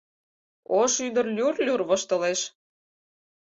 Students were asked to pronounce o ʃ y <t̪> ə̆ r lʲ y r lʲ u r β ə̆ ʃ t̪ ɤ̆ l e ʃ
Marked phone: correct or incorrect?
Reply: incorrect